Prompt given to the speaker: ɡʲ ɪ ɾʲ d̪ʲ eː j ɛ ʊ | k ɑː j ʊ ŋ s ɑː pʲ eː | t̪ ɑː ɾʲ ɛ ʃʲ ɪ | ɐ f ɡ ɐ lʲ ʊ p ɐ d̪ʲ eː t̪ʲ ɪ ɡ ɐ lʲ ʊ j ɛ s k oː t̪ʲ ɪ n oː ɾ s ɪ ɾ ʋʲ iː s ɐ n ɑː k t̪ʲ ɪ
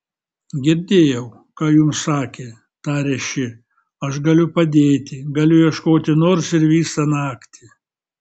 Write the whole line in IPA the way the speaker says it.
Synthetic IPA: ɡʲ ɪ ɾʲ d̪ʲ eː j ɛ ʊ | k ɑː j ʊ m s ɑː kʲ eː | t̪ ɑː ɾʲ ɛ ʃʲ ɪ | ɐ ʃ ɡ ɐ lʲ ʊ p ɐ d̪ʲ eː t̪ʲ ɪ ɡ ɐ lʲ ʊ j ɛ ʃ k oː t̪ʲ ɪ n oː ɾ s ɪ ɾ ʋʲ iː s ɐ n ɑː k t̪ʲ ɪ